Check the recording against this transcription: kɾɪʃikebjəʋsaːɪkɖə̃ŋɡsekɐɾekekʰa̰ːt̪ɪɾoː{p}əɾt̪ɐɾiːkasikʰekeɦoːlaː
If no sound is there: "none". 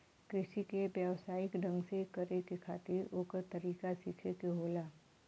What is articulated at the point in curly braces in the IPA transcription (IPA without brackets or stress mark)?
k